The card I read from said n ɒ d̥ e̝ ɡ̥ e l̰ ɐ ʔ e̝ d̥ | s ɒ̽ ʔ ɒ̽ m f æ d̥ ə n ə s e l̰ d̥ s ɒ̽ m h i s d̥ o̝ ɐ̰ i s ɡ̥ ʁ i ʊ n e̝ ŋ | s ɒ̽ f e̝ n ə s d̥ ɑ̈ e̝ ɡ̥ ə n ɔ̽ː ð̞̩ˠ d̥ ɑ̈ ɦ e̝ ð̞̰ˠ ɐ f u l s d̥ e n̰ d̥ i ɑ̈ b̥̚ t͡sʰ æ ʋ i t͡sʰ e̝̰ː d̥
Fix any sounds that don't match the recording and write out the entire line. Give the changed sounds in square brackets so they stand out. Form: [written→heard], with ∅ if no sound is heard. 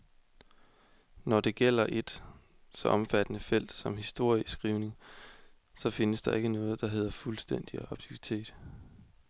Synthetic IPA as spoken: n ɒ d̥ e̝ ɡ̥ e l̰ ɐ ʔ e̝ d̥ | s ɒ̽ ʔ ɒ̽ m f æ d̥ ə n ə [s→f] e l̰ d̥ s ɒ̽ m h i s d̥ o̝ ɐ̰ i s ɡ̥ ʁ i ʊ n e̝ ŋ | s ɒ̽ f e̝ n ə s d̥ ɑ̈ e̝ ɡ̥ ə n ɔ̽ː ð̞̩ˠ d̥ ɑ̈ ɦ e̝ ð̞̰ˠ ɐ f u l s d̥ e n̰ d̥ i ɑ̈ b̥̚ t͡sʰ [æ→i] ʋ i t͡sʰ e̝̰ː d̥